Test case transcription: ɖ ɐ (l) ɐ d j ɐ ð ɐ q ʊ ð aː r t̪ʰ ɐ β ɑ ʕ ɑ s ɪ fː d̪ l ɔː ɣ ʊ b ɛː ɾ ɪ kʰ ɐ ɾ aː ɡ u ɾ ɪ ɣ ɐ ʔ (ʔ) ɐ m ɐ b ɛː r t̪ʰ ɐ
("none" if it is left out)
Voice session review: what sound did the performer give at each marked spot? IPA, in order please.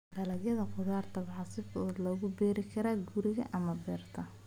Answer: l, ʔ

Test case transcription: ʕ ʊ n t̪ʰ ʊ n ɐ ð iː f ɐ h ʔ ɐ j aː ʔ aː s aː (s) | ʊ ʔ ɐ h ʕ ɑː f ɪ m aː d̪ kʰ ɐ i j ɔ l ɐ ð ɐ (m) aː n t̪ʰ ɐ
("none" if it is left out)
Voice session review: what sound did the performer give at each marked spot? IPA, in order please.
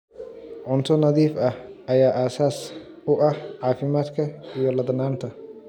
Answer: s, n

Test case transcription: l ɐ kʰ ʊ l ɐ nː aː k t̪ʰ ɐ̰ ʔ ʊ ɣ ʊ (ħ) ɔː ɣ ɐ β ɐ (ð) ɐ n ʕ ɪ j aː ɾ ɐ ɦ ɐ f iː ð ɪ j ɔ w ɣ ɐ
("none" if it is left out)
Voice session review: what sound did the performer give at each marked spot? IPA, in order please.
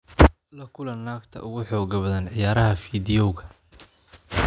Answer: ħ, ð

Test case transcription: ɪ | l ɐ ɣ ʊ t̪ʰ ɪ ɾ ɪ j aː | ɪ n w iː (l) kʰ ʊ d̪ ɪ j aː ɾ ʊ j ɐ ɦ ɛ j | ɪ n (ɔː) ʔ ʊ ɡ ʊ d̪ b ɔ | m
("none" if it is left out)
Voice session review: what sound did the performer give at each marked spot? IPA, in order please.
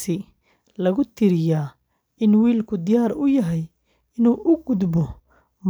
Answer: l, uː

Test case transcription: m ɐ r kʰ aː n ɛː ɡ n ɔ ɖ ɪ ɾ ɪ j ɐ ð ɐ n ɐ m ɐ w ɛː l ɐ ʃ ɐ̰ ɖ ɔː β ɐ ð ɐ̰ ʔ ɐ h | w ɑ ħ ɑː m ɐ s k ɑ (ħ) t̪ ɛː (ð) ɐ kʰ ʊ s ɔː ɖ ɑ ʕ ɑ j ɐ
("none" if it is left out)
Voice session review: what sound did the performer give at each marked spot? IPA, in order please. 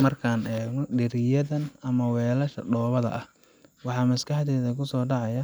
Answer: ħ, ð

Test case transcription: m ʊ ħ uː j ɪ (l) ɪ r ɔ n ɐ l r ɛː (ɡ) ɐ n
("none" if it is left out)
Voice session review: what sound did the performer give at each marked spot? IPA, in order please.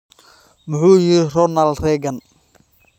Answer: ɾ, ɡ

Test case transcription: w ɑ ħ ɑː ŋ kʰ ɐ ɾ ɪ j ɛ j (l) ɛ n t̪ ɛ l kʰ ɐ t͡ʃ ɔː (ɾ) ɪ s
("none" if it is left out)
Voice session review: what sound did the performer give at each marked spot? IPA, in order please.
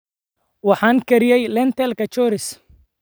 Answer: l, ɾ

